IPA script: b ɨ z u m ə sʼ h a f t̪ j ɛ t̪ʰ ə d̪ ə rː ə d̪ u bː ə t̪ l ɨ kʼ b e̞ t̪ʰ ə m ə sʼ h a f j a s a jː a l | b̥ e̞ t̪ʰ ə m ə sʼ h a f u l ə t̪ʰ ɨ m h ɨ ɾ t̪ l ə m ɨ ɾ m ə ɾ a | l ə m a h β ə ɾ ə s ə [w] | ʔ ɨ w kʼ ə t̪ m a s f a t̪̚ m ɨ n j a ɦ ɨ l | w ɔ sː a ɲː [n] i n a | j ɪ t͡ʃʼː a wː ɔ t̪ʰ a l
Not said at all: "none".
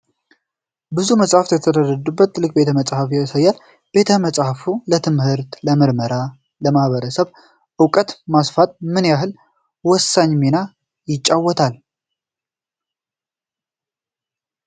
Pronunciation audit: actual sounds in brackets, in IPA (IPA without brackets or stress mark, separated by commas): β, m